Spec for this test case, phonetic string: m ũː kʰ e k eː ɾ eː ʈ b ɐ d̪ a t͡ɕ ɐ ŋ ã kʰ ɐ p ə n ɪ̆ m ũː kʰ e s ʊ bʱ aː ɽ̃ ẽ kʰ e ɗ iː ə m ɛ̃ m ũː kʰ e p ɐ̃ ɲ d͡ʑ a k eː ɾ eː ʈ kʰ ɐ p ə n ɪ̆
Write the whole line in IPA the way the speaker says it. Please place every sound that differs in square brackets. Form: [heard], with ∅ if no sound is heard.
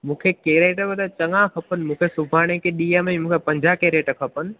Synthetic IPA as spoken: m ũː kʰ e k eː ɾ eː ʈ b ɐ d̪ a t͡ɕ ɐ ŋ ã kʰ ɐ p ə n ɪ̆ m ũː kʰ e s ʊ bʱ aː ɽ̃ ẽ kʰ e ɗ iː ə m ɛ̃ m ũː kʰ e p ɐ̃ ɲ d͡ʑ a k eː ɾ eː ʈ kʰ ɐ p ə n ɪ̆